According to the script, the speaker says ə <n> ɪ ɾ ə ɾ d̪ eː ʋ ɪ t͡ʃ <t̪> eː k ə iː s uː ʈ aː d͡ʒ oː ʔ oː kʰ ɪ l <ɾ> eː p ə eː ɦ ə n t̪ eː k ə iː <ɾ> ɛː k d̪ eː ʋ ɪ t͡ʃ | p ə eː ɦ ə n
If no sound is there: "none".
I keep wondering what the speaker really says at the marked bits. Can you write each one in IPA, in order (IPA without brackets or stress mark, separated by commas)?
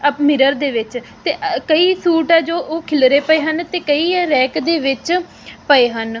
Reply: m, t̪, ɾ, ɾ